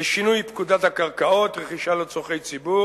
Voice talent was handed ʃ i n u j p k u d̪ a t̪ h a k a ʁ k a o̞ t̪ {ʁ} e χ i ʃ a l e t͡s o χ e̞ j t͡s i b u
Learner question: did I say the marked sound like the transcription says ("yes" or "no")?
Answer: yes